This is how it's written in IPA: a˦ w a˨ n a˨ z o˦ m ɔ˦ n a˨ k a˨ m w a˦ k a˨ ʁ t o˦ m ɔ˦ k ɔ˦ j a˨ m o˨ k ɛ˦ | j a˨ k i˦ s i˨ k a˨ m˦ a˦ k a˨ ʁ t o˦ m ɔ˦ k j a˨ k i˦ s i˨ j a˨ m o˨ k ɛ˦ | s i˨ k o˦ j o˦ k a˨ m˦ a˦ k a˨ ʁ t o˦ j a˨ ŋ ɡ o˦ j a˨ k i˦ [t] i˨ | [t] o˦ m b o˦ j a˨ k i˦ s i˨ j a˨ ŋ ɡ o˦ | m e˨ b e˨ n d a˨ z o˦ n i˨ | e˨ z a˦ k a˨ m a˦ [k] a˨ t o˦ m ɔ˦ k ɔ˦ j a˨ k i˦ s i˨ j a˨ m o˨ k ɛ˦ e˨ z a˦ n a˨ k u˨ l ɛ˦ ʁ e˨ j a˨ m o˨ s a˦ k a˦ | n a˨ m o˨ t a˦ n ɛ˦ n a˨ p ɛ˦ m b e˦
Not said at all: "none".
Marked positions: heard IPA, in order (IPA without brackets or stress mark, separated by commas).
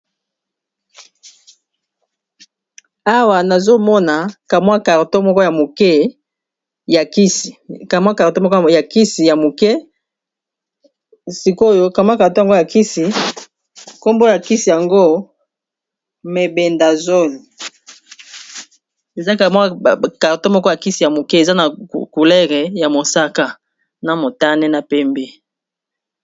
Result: s, k, k